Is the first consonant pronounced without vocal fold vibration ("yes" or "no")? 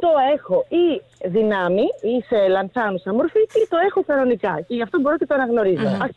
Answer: yes